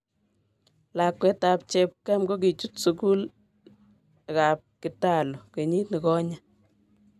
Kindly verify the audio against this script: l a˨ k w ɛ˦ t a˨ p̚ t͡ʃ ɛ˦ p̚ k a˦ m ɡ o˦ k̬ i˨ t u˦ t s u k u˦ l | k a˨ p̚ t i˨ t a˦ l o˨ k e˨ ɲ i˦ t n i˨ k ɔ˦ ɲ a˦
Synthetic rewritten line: l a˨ k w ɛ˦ t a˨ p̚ t͡ʃ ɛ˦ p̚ k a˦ m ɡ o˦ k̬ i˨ t͡ʃ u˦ t s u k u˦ l | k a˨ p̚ k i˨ t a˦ l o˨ k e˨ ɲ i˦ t n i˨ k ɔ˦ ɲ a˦